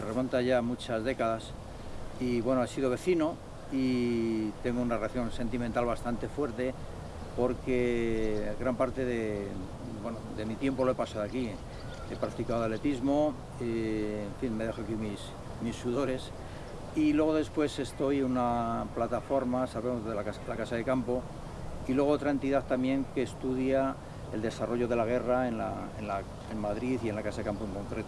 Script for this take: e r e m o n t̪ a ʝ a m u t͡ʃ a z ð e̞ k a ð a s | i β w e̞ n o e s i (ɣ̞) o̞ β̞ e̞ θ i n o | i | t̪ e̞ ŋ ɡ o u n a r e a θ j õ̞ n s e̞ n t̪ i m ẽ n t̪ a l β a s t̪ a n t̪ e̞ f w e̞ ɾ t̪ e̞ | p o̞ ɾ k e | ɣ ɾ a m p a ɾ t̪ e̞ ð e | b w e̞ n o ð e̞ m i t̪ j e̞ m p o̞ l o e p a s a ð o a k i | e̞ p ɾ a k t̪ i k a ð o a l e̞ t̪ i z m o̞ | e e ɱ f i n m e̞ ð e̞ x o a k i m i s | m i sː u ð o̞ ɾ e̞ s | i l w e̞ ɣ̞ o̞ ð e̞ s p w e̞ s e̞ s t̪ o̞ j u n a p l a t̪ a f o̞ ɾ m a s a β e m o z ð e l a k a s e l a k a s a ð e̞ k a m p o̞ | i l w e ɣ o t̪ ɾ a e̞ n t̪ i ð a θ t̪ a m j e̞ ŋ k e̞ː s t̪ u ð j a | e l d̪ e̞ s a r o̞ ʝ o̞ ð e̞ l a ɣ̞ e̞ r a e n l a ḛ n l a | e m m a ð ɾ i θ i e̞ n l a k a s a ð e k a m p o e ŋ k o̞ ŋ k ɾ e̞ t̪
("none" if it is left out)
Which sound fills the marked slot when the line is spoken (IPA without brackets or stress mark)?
ð̞